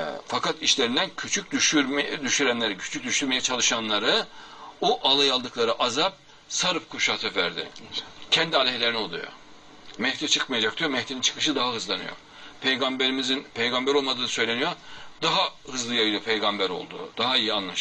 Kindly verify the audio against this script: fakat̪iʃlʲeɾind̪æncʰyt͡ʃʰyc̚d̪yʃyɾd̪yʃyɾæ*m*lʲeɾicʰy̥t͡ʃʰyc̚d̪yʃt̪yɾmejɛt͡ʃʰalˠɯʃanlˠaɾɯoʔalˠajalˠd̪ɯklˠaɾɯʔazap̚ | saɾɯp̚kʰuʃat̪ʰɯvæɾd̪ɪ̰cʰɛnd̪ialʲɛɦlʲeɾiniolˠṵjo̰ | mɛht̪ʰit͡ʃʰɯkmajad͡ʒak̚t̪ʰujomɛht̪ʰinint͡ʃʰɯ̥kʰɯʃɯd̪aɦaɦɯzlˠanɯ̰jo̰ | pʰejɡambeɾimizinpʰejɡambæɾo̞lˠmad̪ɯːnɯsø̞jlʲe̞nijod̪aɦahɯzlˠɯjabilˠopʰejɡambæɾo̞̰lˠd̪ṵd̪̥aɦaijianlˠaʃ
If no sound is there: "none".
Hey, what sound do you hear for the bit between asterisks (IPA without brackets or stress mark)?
n